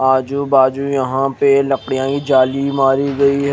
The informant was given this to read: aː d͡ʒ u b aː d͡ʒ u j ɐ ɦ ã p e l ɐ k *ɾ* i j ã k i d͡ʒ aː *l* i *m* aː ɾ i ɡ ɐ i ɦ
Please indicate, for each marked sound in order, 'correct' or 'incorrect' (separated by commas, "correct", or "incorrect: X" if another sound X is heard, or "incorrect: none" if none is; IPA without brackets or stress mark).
incorrect: ɽ, correct, correct